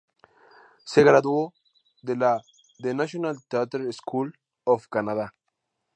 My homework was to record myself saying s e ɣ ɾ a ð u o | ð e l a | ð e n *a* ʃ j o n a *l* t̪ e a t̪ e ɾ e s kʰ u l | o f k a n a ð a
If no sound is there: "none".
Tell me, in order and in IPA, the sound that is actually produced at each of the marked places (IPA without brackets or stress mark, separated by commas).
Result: a, l